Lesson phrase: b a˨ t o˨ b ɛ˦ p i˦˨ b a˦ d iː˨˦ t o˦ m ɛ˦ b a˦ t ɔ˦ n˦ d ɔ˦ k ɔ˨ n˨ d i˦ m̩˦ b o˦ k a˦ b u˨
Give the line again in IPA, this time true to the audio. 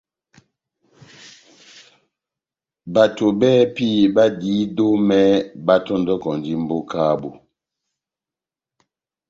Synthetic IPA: b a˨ t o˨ b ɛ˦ p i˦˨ b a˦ d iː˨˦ d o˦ m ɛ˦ b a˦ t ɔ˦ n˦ d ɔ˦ k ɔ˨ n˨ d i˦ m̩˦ b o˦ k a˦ b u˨